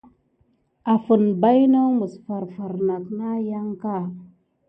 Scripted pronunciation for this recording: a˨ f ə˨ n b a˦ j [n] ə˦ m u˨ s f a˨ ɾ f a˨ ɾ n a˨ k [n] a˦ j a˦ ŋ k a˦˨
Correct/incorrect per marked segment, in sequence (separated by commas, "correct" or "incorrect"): correct, correct